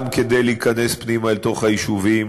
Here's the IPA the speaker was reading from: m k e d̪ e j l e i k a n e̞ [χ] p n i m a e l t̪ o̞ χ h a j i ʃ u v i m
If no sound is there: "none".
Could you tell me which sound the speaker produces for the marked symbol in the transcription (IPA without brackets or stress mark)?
s